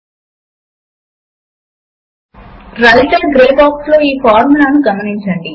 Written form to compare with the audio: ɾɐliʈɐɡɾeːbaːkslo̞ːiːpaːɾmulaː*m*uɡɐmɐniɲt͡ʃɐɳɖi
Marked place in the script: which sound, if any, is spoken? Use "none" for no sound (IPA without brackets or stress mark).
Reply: n